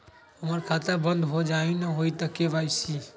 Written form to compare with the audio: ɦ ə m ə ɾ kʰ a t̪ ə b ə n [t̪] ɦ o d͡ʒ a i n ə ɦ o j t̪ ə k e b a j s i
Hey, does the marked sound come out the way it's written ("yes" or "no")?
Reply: no